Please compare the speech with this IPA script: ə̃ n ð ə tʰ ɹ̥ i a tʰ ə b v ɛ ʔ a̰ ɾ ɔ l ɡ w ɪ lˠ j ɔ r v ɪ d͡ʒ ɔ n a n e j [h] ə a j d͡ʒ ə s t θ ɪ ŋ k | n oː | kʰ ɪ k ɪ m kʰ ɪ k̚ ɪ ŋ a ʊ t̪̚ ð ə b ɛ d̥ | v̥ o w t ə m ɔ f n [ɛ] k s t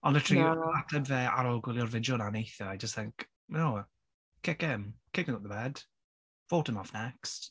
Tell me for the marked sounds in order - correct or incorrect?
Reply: incorrect, correct

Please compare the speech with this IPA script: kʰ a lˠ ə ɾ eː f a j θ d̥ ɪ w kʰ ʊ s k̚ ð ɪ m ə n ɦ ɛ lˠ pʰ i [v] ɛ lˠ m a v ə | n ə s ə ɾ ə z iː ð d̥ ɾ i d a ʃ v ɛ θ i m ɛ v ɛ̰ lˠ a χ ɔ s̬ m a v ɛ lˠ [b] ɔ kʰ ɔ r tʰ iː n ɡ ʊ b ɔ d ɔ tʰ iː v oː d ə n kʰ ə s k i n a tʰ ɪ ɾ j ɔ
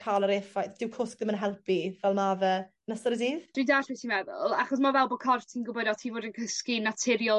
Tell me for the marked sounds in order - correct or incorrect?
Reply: correct, correct

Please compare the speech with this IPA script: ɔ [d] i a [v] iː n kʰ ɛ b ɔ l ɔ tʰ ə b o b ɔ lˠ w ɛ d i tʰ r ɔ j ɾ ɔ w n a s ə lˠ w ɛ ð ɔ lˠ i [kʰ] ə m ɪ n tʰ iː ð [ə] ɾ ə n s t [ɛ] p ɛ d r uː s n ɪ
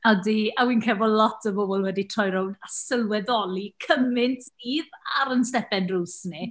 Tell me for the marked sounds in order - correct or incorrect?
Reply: correct, incorrect, correct, incorrect, correct

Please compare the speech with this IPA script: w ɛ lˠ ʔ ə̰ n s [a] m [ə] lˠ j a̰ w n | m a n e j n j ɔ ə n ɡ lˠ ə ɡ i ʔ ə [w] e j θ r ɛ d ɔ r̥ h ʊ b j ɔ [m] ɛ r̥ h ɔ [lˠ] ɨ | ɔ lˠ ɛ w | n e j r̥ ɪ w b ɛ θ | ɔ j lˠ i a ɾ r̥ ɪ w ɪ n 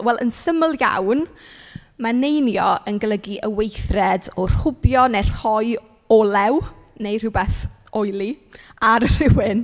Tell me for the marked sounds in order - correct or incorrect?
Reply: incorrect, correct, correct, incorrect, incorrect

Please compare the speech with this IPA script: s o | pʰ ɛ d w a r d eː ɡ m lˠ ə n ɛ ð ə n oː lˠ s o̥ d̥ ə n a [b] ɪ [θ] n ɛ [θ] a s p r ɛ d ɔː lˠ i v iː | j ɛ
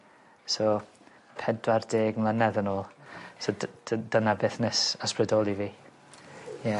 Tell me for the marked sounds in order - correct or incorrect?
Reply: correct, correct, incorrect

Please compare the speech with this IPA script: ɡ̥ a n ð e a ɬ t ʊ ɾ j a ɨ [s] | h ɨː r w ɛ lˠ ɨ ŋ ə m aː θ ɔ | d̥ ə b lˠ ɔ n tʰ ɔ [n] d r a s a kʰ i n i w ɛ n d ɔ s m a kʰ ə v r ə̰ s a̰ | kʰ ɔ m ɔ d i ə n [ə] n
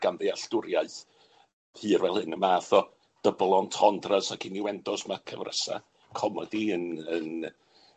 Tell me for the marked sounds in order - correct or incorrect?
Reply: incorrect, correct, correct

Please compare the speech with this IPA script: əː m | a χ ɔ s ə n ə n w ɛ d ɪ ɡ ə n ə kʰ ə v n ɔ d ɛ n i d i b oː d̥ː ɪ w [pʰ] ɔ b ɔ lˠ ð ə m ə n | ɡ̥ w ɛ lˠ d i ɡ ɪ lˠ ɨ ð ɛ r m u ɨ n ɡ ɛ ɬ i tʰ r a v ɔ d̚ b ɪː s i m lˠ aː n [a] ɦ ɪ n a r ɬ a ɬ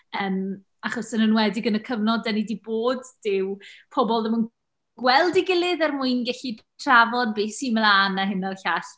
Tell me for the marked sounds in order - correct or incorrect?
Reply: correct, correct

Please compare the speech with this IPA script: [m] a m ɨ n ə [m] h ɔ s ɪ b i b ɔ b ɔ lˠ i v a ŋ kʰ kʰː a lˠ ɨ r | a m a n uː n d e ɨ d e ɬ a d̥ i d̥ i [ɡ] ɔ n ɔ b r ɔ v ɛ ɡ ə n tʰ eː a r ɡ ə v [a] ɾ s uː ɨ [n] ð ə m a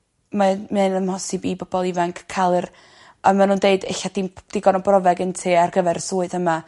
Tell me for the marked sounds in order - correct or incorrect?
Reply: correct, correct, correct, incorrect, incorrect

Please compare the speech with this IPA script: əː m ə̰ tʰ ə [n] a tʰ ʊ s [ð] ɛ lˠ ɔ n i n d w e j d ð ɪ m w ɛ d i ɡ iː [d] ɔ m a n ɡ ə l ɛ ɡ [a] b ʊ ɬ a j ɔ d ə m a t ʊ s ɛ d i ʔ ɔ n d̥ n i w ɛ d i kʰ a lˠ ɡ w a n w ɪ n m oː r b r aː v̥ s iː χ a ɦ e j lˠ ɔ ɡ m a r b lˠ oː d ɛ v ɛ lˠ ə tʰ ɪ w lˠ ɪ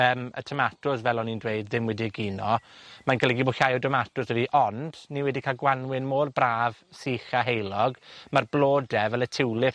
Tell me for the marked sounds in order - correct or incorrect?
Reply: incorrect, incorrect, incorrect, incorrect

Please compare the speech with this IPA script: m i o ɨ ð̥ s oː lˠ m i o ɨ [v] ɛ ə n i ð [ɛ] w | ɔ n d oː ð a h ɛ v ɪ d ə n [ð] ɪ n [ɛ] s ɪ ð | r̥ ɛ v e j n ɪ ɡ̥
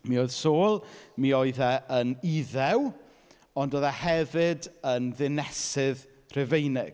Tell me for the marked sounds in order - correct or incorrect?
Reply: incorrect, correct, correct, correct

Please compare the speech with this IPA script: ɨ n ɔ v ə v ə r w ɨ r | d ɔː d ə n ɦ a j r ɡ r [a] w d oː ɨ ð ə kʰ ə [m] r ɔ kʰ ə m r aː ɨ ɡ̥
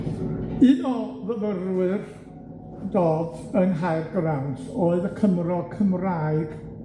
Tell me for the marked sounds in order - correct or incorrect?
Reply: correct, correct

